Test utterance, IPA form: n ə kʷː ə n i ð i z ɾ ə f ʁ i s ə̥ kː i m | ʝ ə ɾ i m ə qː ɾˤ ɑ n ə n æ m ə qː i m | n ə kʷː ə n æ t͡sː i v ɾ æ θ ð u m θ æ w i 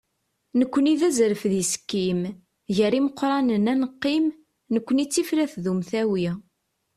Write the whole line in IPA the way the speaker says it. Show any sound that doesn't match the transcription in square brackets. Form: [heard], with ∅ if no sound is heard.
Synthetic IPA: n ə kʷː ə n i ð [æ] z ɾ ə f [ð] i s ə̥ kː i m | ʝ ə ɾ i m ə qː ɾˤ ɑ n ə n æ [n] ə qː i m | n ə kʷː ə n [i] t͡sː i [f] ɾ æ θ ð u m θ æ w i